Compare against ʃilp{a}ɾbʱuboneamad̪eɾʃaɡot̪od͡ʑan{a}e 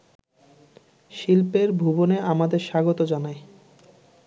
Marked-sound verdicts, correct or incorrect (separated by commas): incorrect, correct